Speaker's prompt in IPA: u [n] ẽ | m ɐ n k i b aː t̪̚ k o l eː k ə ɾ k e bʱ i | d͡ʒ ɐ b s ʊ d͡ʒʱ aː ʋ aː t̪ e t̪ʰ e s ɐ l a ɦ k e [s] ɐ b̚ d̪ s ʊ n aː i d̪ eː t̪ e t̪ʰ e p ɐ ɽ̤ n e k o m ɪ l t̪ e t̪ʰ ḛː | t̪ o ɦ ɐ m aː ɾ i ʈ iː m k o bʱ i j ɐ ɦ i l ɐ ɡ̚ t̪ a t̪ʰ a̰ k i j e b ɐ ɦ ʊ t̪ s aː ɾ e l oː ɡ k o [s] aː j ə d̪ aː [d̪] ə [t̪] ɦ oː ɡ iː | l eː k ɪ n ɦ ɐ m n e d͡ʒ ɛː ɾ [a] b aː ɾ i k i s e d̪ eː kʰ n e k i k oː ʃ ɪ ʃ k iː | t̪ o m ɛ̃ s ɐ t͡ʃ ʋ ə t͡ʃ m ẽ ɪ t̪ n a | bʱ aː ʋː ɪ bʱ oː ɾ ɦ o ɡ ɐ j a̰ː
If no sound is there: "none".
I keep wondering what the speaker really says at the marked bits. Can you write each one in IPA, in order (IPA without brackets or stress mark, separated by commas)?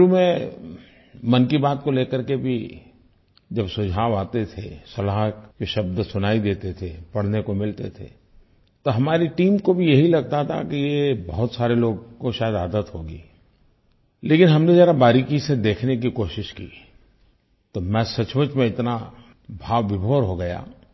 m, ʃ, ʃ, d̪, t̪, a